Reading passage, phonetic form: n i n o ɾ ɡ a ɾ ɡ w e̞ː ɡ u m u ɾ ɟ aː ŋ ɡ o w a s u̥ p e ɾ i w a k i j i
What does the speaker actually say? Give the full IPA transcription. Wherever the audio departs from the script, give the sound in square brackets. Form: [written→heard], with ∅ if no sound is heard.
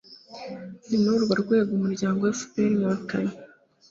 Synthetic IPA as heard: n i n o ɾ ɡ a ɾ ɡ w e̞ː ɡ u m u ɾ ɟ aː ŋ ɡ o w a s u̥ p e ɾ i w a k [i→a] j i